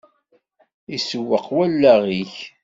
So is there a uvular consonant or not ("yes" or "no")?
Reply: yes